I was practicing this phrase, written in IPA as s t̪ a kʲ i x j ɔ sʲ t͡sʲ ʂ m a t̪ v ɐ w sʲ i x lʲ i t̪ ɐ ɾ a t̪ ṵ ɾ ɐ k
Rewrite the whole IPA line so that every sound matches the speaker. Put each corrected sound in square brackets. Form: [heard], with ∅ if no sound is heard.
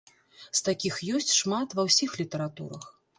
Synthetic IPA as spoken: s t̪ a kʲ i x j ɔ sʲ t͡sʲ ʂ m a t̪ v ɐ w sʲ i x lʲ i t̪ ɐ ɾ a t̪ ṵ ɾ ɐ [x]